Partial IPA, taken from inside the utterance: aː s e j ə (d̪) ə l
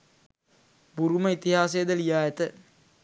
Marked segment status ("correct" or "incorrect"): correct